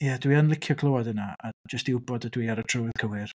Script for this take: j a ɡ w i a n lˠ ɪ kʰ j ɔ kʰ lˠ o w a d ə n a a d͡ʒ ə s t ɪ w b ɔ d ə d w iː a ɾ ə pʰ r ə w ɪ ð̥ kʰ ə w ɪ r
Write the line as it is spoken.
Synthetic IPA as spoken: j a d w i a n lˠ ɪ kʰ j ɔ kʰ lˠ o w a d ə n a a d͡ʒ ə s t ɪ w b ɔ d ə d w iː a ɾ ə tʰ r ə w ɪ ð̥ kʰ ə w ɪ r